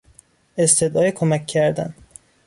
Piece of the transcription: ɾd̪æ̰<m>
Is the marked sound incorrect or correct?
incorrect